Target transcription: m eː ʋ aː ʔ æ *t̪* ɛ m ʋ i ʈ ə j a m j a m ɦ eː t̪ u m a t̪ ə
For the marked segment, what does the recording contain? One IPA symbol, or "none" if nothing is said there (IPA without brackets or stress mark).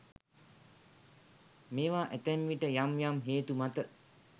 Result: t̪